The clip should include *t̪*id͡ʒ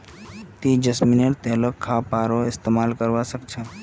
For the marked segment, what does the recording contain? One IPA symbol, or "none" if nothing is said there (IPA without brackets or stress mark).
t̪